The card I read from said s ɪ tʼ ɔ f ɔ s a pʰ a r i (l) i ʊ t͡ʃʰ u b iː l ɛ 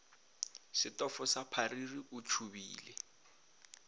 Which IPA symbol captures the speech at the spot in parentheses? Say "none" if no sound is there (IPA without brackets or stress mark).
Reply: r